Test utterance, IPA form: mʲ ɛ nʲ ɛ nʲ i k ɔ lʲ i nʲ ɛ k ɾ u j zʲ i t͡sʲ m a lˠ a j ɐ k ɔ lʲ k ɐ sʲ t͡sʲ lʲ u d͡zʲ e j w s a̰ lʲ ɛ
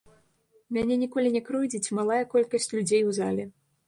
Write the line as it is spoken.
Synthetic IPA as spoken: mʲ a nʲ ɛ nʲ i k ɔ lʲ i nʲ ɛ k ɾ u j d͡zʲ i t͡sʲ m a lˠ a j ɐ k ɔ lʲ k ɐ sʲ t͡sʲ lʲ u d͡zʲ e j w z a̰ lʲ ɛ